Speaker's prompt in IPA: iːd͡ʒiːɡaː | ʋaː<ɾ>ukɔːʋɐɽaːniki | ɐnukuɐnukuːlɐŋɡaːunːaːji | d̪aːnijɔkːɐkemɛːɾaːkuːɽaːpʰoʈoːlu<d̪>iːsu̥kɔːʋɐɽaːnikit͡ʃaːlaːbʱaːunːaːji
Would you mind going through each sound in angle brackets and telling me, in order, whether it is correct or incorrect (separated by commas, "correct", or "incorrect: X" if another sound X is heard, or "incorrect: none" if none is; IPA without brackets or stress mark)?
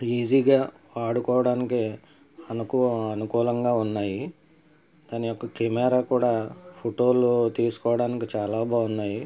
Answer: incorrect: ɽ, incorrect: t̪